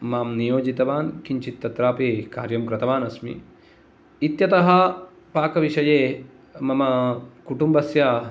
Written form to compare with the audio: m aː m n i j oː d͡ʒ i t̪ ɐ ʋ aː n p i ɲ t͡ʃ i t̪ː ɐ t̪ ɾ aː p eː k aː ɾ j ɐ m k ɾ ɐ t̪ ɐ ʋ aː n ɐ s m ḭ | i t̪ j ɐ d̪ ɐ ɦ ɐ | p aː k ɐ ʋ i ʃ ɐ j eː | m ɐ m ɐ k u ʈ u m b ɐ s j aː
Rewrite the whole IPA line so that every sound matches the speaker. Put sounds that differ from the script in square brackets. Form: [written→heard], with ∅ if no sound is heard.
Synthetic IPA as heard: m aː m n i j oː d͡ʒ i t̪ ɐ ʋ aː n [p→k] i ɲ t͡ʃ i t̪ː ɐ t̪ ɾ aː p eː k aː ɾ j ɐ m k ɾ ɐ t̪ ɐ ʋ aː n ɐ s m ḭ | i t̪ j ɐ [d̪→t̪] ɐ ɦ ɐ | p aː k ɐ ʋ i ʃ ɐ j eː | m ɐ m ɐ k u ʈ u m b ɐ s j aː